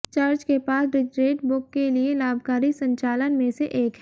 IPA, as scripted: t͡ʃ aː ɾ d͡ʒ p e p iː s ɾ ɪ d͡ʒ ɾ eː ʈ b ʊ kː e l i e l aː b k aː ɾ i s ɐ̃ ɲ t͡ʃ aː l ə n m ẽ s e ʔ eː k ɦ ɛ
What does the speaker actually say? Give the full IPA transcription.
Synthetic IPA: t͡ʃ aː ɾ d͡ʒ k e p aː s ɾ ɪ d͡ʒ ɾ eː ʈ b ʊ kː e l i e l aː b k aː ɾ i s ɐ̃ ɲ t͡ʃ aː l ə n m ẽ s e ʔ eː k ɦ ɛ